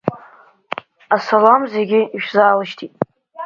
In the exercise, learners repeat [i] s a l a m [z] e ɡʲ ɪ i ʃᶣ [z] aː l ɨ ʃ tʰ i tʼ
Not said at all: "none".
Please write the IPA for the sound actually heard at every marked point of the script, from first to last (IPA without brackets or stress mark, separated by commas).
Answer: a, z, z